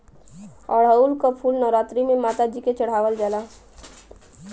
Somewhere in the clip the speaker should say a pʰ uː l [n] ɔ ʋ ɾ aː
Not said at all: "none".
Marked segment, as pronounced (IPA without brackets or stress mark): n